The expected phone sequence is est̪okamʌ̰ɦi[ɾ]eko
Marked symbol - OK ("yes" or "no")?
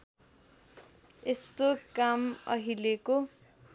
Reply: no